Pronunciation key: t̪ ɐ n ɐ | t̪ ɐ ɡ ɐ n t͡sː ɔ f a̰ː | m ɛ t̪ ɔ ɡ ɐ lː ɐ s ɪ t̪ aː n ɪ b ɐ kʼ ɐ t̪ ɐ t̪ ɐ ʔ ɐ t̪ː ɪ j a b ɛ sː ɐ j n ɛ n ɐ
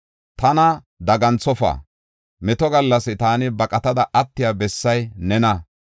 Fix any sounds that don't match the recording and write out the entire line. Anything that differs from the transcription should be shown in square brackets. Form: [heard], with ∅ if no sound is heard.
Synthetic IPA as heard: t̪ ɐ n ɐ | [d̪] ɐ ɡ ɐ n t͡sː ɔ f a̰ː | m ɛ t̪ ɔ ɡ ɐ lː ɐ s ɪ t̪ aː n ɪ b ɐ kʼ ɐ t̪ ɐ [d̪] ɐ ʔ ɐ t̪ː ɪ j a b ɛ sː ɐ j n ɛ n ɐ